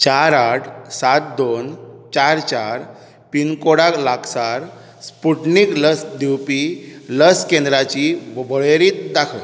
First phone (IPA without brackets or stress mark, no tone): t͡ɕ